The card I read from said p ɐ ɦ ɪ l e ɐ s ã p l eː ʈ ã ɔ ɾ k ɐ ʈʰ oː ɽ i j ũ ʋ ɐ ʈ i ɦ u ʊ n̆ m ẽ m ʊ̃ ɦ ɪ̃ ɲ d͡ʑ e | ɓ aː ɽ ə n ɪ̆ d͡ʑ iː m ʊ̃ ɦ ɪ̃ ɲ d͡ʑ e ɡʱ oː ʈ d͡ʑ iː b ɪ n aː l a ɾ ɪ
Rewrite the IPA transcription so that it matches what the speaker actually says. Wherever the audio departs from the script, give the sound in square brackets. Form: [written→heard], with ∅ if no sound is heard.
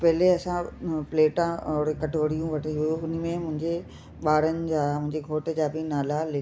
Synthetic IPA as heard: p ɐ ɦ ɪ l e ɐ s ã p l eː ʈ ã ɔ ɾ k ɐ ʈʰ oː ɽ i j ũ ʋ ɐ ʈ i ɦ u ʊ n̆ m ẽ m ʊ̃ ɦ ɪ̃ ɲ d͡ʑ e | ɓ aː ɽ ə n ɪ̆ d͡ʑ [iː→aː] m ʊ̃ ɦ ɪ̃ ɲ d͡ʑ e ɡʱ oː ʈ d͡ʑ [iː→aː] b ɪ n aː l a [ɾ→l] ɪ

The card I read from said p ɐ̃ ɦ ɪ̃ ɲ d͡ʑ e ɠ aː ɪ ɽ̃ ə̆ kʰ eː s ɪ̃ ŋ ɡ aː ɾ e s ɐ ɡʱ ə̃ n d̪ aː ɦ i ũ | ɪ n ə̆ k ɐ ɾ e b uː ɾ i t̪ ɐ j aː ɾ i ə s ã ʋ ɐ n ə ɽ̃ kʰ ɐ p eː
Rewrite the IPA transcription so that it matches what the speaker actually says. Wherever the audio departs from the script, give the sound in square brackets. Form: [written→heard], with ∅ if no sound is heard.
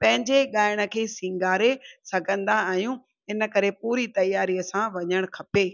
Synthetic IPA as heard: p ɐ̃ ɦ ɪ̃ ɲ d͡ʑ e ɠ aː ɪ ɽ̃ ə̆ kʰ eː s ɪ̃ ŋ ɡ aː ɾ e s ɐ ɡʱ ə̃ n d̪ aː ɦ [i→j] ũ | ɪ n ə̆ k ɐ ɾ e [b→p] uː ɾ i t̪ ɐ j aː ɾ i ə s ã ʋ ɐ [n→ɲ] ə ɽ̃ kʰ ɐ p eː

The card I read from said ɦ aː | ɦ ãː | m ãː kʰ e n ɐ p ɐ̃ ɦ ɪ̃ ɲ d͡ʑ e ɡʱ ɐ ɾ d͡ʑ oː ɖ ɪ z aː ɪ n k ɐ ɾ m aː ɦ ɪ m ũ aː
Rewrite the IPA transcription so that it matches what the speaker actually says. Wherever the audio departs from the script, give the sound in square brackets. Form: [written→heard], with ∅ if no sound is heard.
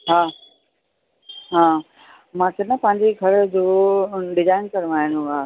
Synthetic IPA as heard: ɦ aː | ɦ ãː | m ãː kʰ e n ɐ p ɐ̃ ɦ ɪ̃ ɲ d͡ʑ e ɡʱ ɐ ɾ d͡ʑ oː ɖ ɪ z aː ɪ n k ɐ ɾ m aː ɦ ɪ [m→n] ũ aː

